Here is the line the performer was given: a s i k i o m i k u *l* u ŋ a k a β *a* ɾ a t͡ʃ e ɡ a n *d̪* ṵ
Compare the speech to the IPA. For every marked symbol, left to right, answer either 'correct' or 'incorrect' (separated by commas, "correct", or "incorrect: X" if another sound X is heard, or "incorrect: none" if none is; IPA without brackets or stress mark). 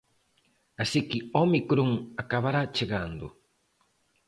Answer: incorrect: ɾ, correct, correct